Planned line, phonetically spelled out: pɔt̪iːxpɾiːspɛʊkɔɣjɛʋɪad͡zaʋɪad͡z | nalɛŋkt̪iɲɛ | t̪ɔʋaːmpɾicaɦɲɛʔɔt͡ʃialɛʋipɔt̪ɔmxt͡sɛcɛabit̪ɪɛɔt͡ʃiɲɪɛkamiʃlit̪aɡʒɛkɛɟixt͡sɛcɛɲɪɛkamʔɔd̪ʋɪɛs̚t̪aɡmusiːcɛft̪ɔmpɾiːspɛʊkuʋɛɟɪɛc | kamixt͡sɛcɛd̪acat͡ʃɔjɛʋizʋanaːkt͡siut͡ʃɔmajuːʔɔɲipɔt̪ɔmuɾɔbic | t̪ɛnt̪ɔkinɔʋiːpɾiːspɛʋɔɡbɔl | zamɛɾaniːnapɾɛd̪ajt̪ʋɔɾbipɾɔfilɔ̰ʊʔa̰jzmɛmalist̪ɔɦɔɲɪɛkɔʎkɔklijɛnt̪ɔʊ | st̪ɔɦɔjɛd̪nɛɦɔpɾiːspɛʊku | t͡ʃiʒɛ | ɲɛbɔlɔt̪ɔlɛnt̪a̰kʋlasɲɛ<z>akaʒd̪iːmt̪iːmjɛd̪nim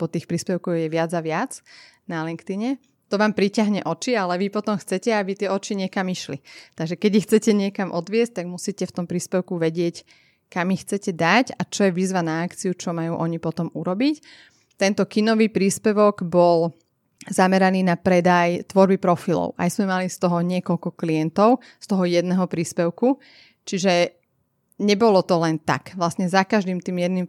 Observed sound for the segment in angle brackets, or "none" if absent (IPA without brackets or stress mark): z